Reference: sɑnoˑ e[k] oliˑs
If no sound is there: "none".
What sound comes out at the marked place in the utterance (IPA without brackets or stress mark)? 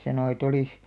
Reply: t